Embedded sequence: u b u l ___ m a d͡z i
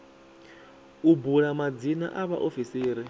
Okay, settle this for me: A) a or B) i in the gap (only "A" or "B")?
A